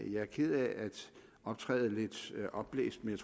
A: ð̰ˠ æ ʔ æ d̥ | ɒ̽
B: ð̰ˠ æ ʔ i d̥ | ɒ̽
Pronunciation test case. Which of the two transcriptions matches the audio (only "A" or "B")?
A